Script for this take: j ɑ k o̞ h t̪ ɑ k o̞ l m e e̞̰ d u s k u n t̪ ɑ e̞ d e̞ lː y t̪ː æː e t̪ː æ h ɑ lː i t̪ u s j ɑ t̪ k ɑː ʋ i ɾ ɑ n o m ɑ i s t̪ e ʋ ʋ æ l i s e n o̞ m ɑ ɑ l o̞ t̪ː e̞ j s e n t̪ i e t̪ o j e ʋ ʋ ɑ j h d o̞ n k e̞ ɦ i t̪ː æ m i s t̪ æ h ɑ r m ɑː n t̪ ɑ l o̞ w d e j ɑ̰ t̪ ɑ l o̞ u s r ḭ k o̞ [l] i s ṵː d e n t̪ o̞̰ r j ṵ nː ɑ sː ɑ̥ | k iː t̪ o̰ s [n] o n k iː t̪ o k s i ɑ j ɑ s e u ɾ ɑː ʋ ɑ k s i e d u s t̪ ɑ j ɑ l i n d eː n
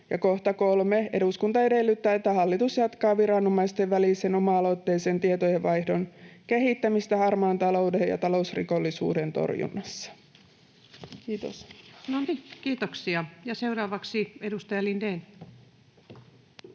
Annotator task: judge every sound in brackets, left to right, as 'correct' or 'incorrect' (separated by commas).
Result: incorrect, correct